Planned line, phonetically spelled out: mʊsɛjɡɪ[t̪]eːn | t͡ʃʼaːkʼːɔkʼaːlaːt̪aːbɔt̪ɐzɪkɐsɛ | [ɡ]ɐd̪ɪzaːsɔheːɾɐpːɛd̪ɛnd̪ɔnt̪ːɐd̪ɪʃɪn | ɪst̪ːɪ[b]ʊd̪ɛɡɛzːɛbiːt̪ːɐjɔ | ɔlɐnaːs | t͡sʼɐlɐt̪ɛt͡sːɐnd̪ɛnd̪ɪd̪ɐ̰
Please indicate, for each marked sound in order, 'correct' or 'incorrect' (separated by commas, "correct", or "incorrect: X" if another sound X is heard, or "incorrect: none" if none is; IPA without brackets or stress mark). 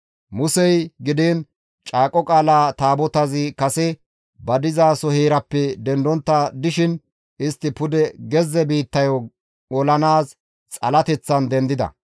incorrect: d̪, incorrect: b, incorrect: p